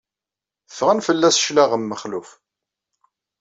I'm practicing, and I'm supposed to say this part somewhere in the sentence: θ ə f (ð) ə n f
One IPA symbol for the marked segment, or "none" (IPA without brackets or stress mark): ʁ